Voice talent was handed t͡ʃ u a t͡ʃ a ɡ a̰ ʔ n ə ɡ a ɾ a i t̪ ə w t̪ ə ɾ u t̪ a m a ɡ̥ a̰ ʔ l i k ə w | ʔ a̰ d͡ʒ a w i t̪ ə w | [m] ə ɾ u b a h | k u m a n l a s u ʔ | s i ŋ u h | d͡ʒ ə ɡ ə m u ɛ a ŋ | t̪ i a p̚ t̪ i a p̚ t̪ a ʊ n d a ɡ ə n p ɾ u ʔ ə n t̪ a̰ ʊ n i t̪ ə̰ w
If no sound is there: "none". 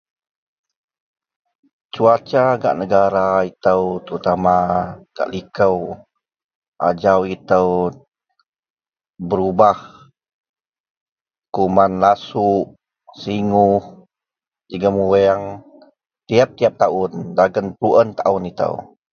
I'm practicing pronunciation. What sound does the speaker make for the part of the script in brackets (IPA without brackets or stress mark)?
b